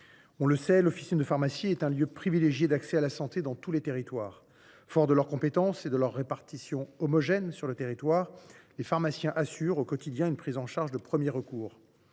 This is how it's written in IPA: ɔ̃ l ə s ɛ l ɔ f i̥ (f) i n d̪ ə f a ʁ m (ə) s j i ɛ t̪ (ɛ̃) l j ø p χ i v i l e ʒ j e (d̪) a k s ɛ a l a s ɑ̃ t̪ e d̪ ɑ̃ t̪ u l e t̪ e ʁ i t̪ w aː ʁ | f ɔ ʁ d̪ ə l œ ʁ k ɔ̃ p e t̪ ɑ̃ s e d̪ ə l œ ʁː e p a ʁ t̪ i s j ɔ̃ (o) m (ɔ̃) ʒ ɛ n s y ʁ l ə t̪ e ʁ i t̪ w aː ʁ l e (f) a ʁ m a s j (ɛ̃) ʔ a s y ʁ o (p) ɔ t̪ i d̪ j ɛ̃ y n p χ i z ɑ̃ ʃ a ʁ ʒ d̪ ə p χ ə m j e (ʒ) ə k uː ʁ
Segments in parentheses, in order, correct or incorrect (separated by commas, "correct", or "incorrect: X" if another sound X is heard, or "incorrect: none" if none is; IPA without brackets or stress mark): incorrect: s, incorrect: a, correct, correct, incorrect: ɔ, incorrect: ɔ, correct, correct, incorrect: k, incorrect: ʁ